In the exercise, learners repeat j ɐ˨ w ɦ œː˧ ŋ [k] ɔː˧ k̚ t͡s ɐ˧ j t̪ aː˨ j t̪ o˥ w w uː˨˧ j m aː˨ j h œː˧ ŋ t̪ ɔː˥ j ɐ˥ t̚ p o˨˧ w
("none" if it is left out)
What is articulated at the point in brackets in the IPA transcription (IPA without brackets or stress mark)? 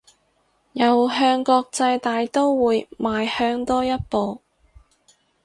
k